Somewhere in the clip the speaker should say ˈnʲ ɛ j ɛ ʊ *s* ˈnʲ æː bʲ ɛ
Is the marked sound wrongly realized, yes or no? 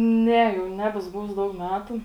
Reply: yes